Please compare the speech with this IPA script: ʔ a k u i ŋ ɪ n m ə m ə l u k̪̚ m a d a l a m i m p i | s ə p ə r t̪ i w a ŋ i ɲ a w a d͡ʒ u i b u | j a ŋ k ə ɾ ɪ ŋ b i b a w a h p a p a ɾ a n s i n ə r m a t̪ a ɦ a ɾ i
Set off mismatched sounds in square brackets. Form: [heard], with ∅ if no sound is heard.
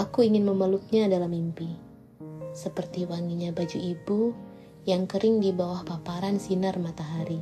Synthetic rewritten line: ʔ a k u i ŋ ɪ n m ə m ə l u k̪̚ [ɲ] a d a l a m i m p i | s ə p ə r t̪ i w a ŋ i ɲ a [b] a d͡ʒ u i b u | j a ŋ k ə ɾ ɪ ŋ [d] i b a w a h p a p a ɾ a n s i n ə r m a t̪ a ɦ a ɾ i